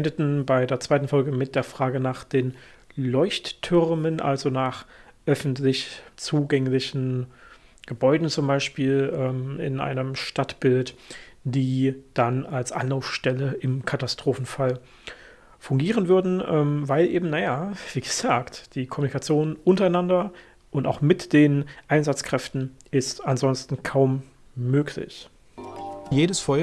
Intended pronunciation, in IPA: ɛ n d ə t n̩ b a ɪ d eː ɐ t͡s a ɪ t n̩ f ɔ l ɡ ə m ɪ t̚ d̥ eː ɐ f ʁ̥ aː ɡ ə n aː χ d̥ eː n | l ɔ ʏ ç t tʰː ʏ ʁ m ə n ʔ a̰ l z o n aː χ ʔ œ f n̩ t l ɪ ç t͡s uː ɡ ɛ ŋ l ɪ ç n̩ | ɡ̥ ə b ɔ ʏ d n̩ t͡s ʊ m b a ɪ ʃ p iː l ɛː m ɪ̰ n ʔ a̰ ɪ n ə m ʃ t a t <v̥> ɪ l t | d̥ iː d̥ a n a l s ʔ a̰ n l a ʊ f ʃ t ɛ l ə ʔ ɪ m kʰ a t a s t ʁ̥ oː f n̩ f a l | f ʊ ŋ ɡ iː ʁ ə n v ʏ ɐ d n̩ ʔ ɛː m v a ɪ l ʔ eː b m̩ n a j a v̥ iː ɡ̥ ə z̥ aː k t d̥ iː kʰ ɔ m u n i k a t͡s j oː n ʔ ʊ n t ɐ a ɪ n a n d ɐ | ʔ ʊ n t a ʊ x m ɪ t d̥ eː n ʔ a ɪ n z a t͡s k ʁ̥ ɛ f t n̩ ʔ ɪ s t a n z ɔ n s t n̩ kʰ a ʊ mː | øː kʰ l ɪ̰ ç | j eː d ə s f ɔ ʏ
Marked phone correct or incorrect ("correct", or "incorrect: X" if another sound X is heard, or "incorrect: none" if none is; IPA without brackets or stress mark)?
incorrect: b̥